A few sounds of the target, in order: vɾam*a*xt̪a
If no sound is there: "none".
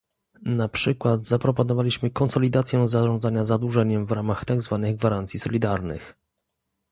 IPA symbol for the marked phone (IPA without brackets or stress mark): a